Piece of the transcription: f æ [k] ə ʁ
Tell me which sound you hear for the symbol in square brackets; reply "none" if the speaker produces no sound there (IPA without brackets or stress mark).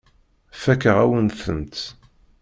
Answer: k